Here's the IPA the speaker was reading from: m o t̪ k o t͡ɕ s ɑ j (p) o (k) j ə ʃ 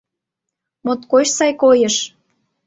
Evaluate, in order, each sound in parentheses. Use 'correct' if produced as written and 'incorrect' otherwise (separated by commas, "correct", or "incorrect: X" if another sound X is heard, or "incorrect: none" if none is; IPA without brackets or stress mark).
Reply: incorrect: k, incorrect: none